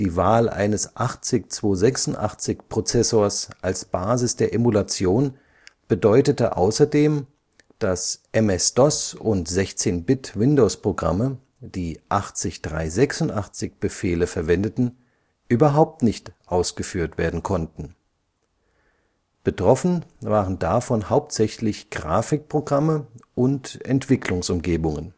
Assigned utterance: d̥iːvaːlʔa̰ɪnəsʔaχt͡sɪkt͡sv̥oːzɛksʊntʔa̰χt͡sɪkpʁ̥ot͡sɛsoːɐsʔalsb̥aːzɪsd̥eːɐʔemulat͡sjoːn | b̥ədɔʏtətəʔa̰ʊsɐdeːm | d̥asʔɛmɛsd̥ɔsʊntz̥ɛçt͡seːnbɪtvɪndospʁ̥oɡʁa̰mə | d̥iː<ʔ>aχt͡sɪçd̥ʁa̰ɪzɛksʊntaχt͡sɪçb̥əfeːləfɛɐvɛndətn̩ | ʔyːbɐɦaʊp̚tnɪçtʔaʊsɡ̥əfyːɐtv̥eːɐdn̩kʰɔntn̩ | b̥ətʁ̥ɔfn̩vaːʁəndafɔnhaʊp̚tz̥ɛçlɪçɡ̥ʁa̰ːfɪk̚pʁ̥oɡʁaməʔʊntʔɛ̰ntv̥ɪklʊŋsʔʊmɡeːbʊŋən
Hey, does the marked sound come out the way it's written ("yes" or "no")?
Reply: yes